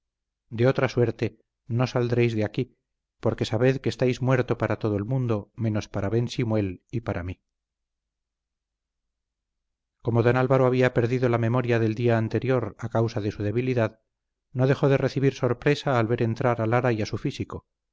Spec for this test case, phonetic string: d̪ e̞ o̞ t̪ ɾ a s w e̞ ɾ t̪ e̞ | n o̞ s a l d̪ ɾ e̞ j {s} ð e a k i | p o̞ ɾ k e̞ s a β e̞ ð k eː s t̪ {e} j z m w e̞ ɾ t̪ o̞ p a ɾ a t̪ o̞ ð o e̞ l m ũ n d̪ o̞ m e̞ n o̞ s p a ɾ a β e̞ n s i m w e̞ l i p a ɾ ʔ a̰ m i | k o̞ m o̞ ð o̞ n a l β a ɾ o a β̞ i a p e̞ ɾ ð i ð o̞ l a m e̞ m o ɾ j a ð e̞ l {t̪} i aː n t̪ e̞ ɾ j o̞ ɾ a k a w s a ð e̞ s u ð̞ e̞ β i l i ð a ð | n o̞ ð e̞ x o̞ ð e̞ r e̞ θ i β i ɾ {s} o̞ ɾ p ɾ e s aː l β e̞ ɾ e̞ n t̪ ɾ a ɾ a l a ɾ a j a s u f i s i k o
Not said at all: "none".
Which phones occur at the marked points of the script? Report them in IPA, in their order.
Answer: z, a, d̪, s

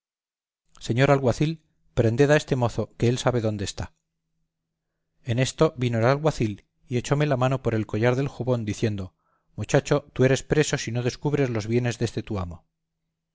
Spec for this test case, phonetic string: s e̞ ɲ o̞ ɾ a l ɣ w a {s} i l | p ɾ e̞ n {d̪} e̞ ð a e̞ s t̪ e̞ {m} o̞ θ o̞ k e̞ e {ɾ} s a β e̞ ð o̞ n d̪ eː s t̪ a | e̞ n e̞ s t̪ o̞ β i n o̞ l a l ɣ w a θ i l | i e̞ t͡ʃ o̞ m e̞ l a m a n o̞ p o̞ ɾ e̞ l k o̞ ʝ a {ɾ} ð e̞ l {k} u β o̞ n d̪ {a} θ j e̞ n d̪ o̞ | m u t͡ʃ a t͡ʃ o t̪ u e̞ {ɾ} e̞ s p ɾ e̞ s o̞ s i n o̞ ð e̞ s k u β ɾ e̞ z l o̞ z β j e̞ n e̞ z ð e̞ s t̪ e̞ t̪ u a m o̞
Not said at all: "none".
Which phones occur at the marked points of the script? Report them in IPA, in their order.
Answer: θ, d̪, m, l, ɾ, x, i, ɾ

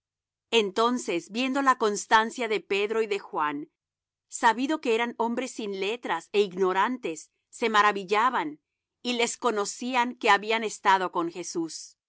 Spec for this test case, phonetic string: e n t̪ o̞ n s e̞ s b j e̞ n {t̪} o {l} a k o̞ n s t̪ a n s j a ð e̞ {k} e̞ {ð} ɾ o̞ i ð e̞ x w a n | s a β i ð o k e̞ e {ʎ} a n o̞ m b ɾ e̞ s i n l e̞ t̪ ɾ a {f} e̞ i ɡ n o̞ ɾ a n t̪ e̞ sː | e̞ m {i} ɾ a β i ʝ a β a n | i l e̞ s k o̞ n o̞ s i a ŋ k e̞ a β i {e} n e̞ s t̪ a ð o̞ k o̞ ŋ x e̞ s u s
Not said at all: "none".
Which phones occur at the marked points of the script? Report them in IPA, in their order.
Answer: d̪, l, p, ð, ɾ, s, a, a

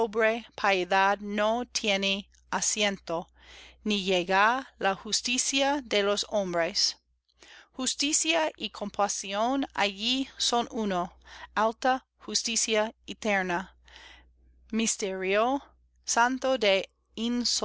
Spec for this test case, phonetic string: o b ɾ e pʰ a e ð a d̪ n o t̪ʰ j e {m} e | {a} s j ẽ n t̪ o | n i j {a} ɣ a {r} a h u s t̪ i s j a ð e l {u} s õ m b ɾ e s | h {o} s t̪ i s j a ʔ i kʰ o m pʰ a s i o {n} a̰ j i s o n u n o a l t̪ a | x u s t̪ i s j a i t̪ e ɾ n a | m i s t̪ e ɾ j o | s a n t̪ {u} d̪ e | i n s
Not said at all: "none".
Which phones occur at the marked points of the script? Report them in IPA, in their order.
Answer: n, a, e, l, o, u, n, o

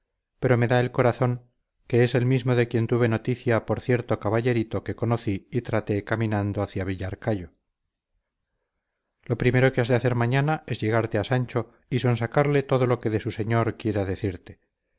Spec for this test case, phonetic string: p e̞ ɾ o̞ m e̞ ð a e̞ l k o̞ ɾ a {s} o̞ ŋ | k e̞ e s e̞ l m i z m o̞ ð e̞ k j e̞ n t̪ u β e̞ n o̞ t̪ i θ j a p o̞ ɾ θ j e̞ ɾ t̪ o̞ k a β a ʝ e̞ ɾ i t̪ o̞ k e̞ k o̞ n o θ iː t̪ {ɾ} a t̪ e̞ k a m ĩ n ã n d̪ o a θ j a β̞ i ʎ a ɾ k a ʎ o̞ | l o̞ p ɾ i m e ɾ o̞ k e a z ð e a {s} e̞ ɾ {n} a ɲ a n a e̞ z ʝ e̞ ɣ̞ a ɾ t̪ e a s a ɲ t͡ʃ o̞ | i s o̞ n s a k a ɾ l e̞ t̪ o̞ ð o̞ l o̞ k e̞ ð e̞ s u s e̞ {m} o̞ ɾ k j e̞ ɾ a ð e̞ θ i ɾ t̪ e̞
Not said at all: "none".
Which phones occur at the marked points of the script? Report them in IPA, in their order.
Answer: θ, ɾ, θ, m, ɲ

